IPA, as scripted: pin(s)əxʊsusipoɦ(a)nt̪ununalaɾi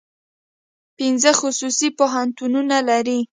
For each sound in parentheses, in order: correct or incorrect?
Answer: incorrect, correct

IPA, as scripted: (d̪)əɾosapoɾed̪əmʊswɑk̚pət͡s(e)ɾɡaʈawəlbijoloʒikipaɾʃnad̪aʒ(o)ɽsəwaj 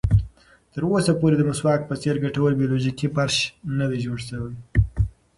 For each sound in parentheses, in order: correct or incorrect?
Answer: incorrect, correct, correct

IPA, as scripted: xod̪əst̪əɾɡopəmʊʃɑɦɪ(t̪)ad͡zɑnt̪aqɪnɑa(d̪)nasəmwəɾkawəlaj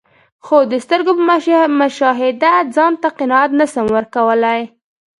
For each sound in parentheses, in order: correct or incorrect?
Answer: incorrect, incorrect

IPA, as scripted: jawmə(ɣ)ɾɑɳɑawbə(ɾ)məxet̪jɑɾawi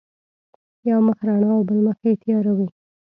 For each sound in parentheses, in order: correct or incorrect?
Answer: incorrect, incorrect

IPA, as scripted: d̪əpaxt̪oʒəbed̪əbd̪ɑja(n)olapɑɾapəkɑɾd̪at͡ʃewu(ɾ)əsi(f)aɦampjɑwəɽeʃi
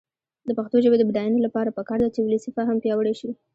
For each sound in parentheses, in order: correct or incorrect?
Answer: correct, incorrect, correct

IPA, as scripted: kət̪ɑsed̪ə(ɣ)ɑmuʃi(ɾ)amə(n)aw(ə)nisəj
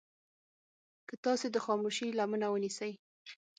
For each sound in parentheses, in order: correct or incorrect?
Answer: incorrect, incorrect, correct, correct

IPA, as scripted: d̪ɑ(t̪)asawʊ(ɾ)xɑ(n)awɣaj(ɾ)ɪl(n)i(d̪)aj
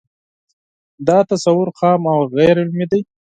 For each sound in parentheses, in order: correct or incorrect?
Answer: correct, correct, incorrect, correct, incorrect, correct

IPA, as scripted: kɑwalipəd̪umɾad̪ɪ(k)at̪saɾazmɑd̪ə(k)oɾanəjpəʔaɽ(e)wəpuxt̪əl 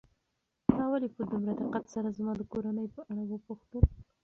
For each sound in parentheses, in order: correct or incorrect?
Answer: incorrect, correct, incorrect

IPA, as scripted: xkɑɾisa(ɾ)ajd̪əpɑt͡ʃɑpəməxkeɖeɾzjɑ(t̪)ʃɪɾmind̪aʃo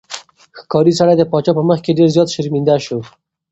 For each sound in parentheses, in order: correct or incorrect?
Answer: incorrect, correct

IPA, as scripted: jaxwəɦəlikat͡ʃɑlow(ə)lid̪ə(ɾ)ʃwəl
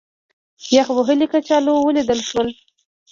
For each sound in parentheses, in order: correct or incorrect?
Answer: correct, incorrect

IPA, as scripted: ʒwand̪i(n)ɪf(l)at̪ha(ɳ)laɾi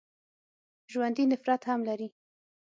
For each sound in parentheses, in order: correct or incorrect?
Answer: correct, incorrect, incorrect

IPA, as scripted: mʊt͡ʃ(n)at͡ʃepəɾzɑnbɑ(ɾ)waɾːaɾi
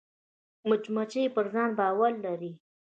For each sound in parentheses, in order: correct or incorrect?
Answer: incorrect, incorrect

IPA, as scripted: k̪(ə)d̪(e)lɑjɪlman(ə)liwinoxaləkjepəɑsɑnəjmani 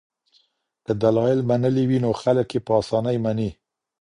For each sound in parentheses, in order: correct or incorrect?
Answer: correct, incorrect, correct

